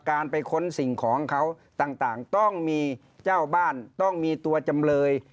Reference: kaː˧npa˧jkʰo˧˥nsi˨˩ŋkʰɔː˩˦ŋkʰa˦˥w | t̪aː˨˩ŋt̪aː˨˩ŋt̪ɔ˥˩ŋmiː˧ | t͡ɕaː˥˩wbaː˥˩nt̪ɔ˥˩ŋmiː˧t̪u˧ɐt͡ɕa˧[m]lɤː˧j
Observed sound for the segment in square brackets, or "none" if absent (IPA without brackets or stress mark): m